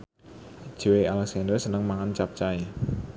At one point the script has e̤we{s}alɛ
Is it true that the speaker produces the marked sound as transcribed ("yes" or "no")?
no